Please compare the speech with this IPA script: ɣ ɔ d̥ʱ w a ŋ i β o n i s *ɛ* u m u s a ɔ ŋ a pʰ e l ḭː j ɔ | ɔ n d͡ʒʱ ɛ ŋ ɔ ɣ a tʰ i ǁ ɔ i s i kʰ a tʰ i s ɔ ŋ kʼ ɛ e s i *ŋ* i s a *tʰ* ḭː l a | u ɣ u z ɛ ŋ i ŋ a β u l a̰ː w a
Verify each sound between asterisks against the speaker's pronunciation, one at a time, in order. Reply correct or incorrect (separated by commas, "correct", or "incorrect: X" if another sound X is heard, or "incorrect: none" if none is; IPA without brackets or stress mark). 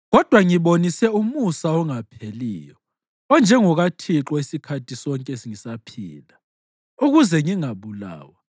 correct, correct, incorrect: pʰ